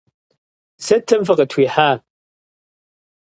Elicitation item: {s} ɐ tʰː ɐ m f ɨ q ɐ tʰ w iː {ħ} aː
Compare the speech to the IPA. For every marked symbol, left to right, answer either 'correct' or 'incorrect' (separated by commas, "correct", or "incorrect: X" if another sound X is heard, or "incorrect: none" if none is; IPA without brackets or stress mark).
correct, correct